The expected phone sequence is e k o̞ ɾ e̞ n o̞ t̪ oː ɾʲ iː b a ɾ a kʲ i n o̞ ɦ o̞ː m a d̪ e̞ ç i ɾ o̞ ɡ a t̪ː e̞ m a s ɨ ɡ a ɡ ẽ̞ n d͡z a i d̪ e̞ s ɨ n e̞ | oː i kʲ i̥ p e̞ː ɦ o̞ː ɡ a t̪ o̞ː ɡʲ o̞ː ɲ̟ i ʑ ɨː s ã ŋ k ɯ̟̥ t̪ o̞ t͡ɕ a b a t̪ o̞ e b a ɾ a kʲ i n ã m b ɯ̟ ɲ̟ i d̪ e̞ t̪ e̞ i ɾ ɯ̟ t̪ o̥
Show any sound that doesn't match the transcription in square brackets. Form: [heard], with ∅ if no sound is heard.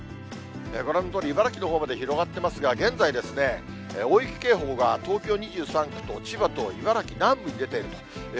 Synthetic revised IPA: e k o̞ ɾ e̞ n o̞ t̪ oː ɾʲ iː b a ɾ a kʲ i n o̞ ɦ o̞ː m a d̪ e̞ ç i ɾ o̞ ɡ a t̪ː e̞ m a s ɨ ɡ a ɡ ẽ̞ n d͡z a i d̪ e̞ s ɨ n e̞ | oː i kʲ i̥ [k] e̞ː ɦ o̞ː ɡ a t̪ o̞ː [kʲ] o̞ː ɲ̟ i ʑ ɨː s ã ŋ k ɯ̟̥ t̪ o̞ t͡ɕ [i] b a t̪ o̞ [i] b a ɾ a kʲ i n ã m b ɯ̟ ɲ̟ i d̪ e̞ t̪ e̞ i ɾ ɯ̟ t̪ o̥

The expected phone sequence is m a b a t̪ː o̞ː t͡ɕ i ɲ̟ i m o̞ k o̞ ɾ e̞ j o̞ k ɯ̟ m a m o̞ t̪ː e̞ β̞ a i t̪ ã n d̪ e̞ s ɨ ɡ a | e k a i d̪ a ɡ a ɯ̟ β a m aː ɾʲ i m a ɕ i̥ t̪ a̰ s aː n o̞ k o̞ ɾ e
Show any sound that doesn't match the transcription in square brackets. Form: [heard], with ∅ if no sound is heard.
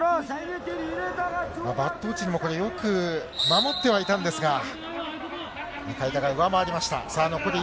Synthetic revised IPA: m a b a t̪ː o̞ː t͡ɕ i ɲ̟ i m o̞ k o̞ ɾ e̞ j o̞ k ɯ̟ m a m o̞ t̪ː e̞ β̞ a i t̪ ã n d̪ e̞ s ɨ ɡ a | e k a i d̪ a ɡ a ɯ̟ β a m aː ɾʲ i m a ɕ i̥ t̪ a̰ s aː n o̞ k o̞ ɾ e

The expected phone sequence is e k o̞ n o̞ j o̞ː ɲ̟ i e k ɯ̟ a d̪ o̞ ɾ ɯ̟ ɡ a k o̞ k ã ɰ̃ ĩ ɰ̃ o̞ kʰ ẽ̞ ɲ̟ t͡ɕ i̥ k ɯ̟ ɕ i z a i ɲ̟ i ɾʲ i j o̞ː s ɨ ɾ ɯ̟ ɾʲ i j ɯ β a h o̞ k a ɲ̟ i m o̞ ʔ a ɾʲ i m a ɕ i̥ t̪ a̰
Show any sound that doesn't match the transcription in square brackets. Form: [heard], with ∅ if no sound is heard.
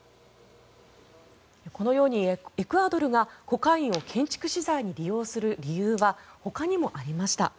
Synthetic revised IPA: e k o̞ n o̞ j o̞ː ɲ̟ i e k ɯ̟ a d̪ o̞ ɾ ɯ̟ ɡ a k o̞ k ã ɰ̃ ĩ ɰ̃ o̞ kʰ ẽ̞ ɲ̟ t͡ɕ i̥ k ɯ̟ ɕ i z a i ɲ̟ i ɾʲ i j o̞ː s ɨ ɾ ɯ̟ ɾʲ i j [ɯː] β a h o̞ k a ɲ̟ i m o̞ ʔ a ɾʲ i m a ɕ i̥ t̪ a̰

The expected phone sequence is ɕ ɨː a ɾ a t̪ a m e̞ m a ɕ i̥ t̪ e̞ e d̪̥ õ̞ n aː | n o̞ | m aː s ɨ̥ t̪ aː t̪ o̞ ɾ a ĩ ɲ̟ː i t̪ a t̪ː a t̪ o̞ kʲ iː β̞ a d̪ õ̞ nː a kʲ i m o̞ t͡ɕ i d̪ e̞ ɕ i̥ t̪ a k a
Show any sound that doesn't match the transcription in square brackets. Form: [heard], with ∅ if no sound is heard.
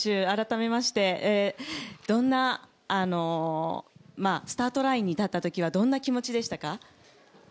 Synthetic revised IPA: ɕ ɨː a ɾ a t̪ a m e̞ m a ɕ i̥ t̪ e̞ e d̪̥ õ̞ [nː] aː | n o̞ | m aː s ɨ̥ t̪ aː t̪ o̞ ɾ a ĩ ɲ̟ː i t̪ a t̪ː a t̪ o̞ kʲ [i] β̞ a d̪ õ̞ nː a kʲ i m o̞ t͡ɕ i d̪ e̞ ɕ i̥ t̪ a k a

